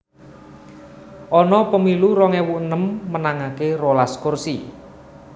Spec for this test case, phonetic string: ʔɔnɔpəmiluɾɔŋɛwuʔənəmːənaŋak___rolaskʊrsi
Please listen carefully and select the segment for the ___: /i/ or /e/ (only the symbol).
e